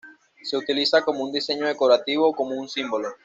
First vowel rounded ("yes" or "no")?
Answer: no